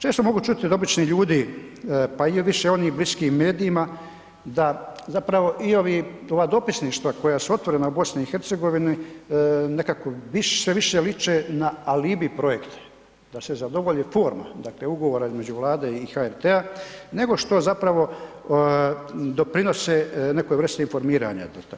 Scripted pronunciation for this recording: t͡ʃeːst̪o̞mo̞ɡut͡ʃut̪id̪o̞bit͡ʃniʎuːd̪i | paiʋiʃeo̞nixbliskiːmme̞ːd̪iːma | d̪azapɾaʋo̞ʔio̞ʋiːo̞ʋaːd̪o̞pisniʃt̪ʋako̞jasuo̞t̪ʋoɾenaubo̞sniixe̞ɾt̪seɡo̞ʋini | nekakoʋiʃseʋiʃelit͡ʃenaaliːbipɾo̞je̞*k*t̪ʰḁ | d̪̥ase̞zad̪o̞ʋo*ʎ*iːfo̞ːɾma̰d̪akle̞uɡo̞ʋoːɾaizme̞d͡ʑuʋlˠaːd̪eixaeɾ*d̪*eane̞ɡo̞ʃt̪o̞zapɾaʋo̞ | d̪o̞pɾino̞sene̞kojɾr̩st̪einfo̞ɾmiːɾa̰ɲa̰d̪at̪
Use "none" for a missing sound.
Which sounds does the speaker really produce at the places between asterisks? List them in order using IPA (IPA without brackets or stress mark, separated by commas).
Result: k, ʎ, t̪